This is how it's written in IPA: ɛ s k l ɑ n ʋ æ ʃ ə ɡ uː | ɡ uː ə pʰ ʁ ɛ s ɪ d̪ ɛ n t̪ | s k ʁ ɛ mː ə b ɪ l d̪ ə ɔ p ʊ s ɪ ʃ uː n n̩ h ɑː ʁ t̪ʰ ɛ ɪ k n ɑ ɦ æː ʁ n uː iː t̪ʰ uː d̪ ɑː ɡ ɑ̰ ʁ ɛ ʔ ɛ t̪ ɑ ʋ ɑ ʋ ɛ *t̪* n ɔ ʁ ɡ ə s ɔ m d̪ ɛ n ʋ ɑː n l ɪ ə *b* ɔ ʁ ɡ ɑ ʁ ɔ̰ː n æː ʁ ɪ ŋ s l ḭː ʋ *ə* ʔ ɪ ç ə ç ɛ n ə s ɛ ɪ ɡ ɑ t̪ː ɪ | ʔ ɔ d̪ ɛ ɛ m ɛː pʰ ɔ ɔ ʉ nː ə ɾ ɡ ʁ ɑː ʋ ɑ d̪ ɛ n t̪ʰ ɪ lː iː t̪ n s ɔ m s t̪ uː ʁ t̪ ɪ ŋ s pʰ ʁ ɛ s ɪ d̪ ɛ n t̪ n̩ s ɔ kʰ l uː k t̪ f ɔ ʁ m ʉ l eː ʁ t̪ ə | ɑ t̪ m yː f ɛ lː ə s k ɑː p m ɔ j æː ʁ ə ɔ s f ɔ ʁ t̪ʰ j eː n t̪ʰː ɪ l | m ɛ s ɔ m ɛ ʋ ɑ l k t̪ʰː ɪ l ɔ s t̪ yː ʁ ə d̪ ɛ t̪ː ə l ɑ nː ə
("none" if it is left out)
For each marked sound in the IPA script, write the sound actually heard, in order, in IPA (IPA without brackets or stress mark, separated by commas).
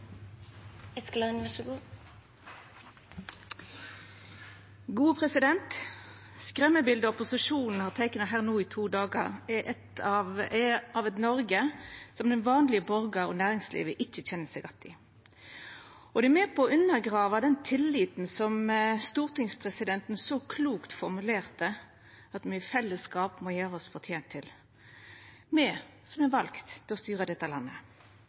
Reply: t̪, b, ə